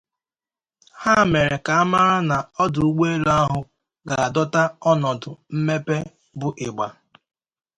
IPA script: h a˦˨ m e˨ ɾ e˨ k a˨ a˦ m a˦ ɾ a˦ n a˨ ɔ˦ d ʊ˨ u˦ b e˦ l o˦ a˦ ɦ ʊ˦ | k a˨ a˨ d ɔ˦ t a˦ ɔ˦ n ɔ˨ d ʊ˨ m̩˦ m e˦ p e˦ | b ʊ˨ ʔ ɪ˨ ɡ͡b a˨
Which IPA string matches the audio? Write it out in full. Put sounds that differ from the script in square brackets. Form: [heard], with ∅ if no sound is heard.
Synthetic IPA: h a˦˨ m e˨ ɾ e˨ k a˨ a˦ m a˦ ɾ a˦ n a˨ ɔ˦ d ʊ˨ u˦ [ɡ͡b] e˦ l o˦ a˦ ɦ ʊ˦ | [ɡ] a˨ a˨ d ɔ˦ t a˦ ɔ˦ n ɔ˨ d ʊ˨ m̩˦ m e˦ p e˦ | b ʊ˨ ʔ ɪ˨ ɡ͡b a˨

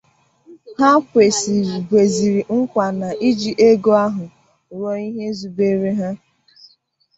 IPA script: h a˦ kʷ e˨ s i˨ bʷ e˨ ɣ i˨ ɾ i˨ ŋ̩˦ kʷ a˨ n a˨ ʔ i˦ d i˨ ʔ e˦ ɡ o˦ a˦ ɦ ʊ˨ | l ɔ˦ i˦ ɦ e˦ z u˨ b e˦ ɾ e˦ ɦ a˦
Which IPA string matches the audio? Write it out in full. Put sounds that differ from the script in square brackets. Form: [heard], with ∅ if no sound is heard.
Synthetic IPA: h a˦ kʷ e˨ s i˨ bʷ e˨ [z] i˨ ɾ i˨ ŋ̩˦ kʷ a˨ n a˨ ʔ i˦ [d͡ʒ] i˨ ʔ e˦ ɡ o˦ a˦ ɦ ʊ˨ | [ɾ] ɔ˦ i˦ ɦ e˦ z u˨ b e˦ ɾ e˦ ɦ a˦

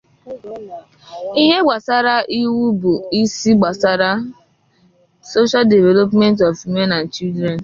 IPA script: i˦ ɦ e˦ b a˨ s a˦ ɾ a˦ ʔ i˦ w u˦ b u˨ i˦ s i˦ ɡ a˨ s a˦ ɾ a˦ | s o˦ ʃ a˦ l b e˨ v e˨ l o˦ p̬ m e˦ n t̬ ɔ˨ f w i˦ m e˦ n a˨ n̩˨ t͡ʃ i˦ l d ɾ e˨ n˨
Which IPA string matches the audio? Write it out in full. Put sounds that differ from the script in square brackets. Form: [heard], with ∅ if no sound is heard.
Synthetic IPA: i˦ ɦ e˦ [ɡ͡b] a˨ s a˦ ɾ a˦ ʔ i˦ w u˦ b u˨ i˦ s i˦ [ɡ͡b] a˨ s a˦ ɾ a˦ | s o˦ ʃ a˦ l [d] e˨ v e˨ l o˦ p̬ m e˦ n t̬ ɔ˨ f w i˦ m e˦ n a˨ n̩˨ t͡ʃ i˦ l d ɾ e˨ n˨

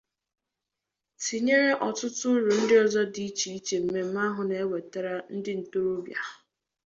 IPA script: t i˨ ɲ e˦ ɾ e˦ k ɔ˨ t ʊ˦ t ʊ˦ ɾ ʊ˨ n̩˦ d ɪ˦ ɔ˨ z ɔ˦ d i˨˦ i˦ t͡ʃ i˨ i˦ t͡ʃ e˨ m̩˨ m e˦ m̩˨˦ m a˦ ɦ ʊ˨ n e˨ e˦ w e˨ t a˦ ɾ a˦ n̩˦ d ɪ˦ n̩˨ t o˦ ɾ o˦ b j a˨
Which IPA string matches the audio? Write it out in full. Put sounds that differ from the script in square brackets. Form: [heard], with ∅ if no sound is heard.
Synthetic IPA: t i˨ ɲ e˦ ɾ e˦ [ʔ] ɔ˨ t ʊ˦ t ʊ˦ ɾ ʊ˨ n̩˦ d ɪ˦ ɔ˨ z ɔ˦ d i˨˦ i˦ t͡ʃ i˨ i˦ t͡ʃ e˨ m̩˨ m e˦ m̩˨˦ m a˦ ɦ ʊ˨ n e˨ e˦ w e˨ t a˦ ɾ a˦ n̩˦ d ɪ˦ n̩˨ t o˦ ɾ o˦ b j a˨

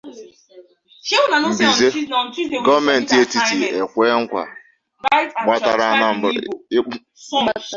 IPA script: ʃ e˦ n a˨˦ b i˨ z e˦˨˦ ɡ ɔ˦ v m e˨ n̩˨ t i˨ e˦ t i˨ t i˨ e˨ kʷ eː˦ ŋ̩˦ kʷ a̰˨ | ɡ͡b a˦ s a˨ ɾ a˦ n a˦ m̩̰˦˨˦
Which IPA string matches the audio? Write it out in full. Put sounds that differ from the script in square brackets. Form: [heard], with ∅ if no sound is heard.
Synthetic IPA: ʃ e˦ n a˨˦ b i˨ z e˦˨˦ ɡ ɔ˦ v m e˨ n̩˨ t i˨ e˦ t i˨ t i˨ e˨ kʷ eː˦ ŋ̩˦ kʷ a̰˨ | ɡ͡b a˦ [t] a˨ ɾ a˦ n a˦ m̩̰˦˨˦

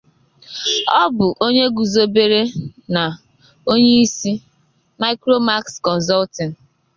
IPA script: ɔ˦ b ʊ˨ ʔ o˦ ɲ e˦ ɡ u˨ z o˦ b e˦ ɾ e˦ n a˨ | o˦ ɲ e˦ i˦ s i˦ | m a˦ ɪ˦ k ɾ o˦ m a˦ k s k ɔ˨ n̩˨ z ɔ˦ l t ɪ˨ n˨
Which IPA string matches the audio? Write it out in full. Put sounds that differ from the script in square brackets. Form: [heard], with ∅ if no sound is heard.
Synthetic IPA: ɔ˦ b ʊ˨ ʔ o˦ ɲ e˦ ɡ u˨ z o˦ b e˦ ɾ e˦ n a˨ | o˦ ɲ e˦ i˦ s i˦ | m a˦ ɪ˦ k ɾ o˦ m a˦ k s k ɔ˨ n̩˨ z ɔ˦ l t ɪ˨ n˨

